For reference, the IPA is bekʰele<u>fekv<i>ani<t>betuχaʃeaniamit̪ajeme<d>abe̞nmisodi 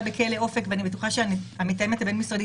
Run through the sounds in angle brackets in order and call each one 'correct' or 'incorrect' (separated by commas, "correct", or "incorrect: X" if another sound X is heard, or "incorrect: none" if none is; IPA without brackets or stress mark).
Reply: incorrect: o, incorrect: e, incorrect: none, incorrect: t